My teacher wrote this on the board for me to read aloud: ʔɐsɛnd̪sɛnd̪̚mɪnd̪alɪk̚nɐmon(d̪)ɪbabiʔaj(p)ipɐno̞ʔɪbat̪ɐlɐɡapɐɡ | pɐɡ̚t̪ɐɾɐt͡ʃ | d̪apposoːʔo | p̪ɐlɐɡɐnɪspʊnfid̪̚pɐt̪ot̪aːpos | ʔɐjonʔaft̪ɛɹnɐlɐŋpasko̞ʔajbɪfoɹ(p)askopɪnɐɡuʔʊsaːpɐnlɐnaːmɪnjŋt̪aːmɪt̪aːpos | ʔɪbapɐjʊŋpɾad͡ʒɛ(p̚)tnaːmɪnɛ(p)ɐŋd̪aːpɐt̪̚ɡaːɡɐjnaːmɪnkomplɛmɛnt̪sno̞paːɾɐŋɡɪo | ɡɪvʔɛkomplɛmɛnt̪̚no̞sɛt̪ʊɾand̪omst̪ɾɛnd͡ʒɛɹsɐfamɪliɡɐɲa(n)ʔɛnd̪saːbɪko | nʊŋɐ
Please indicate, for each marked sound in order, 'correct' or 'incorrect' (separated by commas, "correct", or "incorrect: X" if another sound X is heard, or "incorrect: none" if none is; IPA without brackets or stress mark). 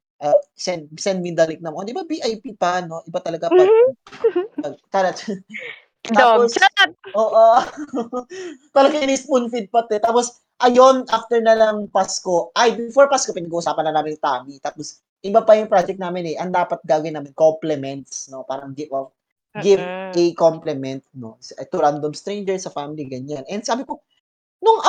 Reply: correct, correct, correct, incorrect: k̚, incorrect: ʔ, correct